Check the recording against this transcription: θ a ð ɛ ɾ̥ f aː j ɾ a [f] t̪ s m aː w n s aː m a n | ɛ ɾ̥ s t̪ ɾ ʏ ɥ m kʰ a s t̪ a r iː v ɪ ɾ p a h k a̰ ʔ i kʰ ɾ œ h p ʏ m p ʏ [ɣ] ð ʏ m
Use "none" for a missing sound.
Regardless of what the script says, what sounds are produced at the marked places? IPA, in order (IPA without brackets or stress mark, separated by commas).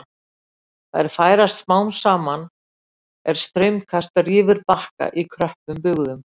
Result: s, ɣ